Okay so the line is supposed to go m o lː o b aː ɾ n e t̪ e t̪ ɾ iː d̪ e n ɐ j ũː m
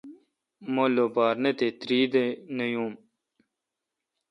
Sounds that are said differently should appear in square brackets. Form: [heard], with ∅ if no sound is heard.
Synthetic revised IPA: m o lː o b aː ɾ n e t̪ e t̪ ɾ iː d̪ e n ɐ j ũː m